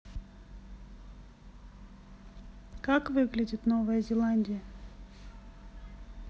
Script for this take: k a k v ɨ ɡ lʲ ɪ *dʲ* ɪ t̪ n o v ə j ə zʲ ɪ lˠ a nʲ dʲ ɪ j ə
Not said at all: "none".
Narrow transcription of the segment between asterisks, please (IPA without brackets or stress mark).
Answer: dʲ